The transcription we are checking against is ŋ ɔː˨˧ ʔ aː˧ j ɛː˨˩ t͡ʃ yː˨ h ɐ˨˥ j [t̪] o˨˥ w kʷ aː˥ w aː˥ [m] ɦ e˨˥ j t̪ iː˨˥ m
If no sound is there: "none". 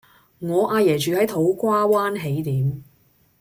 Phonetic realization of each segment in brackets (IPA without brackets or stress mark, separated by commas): t̪ʰ, n